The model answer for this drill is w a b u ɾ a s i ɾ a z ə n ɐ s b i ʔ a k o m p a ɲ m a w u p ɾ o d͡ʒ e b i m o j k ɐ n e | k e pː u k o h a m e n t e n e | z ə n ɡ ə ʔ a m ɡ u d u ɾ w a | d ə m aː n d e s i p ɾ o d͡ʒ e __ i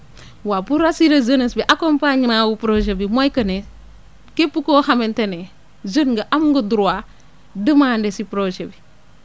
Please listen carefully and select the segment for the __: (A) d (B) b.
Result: B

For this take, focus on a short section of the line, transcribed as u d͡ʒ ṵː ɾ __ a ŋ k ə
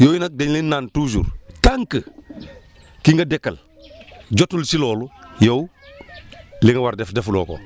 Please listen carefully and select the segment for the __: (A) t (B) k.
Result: A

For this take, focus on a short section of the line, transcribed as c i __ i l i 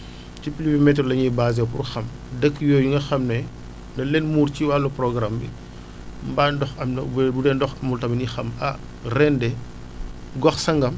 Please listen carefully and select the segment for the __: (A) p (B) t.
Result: A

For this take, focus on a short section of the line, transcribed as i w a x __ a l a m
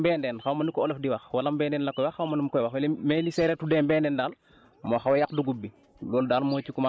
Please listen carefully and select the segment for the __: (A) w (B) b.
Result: A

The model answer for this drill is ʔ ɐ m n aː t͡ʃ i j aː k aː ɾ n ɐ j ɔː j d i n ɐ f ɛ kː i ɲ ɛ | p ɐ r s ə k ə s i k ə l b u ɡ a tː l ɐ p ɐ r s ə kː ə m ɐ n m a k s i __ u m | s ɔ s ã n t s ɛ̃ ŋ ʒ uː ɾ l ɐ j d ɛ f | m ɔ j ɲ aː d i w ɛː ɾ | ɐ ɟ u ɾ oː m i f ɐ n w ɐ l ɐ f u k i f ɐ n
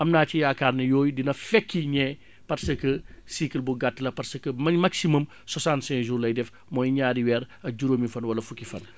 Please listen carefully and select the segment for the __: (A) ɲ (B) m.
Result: B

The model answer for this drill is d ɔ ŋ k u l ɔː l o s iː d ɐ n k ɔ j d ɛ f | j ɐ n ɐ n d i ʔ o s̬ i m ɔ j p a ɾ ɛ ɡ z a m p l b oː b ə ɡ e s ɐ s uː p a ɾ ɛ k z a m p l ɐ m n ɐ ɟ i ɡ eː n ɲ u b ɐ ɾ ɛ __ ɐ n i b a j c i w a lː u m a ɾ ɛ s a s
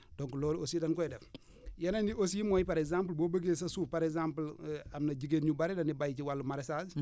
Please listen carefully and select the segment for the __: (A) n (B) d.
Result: B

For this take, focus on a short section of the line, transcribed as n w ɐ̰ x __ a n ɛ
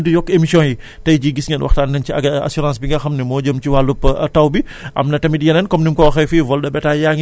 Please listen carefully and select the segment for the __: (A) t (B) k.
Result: A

